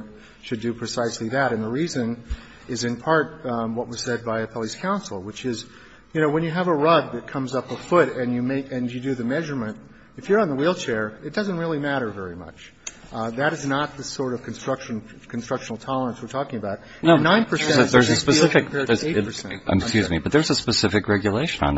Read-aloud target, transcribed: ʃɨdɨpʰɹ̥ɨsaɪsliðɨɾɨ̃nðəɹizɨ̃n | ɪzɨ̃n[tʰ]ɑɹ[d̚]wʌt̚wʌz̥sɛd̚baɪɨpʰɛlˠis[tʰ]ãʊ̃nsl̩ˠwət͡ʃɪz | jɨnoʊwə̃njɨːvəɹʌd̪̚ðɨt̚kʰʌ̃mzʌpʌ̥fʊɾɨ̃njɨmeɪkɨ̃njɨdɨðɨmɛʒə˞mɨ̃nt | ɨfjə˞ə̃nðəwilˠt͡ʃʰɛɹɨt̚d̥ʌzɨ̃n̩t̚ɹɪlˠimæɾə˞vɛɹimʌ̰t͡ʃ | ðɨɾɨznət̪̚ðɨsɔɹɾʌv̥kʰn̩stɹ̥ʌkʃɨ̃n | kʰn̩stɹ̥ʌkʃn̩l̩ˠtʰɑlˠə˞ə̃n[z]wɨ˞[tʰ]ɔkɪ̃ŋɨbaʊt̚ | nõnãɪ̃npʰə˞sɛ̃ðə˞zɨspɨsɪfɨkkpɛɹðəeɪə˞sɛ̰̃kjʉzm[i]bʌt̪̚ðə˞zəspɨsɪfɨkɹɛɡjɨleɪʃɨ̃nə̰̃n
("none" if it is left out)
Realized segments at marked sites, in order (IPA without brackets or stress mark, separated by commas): pʰ, t̚, kʰ, s, tʰ, i